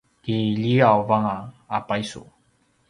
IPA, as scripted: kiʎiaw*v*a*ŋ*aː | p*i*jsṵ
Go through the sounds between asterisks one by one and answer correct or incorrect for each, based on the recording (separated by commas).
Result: correct, correct, incorrect